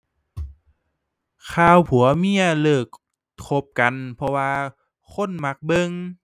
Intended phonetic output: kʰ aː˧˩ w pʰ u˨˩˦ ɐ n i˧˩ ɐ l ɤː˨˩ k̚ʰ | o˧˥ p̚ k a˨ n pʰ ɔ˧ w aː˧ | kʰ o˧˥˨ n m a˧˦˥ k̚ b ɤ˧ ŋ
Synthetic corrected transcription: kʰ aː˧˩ w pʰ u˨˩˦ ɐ m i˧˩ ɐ l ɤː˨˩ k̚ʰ | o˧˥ p̚ k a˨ n pʰ ɔ˧ w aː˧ | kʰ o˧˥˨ n m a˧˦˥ k̚ b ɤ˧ ŋ